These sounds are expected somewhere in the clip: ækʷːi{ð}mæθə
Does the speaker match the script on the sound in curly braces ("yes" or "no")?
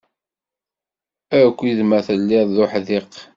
yes